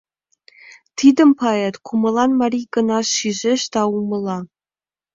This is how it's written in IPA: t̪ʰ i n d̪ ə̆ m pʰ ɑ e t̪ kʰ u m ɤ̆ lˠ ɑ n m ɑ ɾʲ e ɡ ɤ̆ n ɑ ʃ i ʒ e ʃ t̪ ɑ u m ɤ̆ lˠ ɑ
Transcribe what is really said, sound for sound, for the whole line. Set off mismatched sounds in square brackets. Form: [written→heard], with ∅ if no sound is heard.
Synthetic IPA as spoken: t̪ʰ i [n→∅] d̪ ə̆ m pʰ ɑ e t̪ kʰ u m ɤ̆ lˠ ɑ n m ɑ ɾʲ [e→i] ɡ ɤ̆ n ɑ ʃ i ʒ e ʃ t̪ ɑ u m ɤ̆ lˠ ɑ